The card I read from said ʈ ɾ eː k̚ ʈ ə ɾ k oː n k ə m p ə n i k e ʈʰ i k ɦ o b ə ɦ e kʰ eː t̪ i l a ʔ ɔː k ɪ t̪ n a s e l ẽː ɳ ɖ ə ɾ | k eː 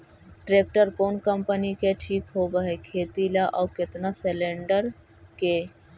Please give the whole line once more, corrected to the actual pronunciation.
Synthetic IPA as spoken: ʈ ɾ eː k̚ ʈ ə ɾ k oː n k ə m p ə n i k e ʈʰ iː k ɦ o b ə ɦ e kʰ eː t̪ i l a ʔ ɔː k ɪ t̪ n a s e l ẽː ɳ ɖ ə ɾ | k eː